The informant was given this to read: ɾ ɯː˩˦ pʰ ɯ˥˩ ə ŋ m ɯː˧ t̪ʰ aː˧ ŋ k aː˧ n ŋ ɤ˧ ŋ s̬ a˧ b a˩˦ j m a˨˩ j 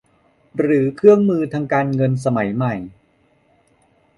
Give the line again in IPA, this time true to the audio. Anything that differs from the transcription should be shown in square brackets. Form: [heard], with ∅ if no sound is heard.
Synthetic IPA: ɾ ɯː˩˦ [kʰ] ɯ˥˩ ə ŋ m ɯː˧ t̪ʰ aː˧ ŋ k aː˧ n ŋ ɤ˧ [n] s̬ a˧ [m] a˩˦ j m a˨˩ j